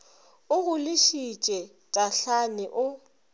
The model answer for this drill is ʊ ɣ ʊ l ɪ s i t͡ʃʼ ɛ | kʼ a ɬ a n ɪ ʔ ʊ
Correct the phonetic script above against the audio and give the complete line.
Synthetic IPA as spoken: ʊ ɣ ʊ l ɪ ʃ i t͡ʃʼ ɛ | tʼ a ɬ a n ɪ ʔ ʊ

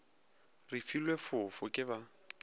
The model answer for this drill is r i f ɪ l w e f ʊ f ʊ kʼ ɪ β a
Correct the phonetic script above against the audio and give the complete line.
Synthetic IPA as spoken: r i f i l w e f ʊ f ʊ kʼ ɪ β a

